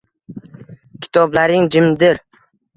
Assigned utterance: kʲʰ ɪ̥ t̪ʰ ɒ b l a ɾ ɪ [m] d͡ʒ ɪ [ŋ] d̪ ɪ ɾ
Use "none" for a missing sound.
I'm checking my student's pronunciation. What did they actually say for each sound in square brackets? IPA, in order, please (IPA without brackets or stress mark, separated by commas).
ŋ, m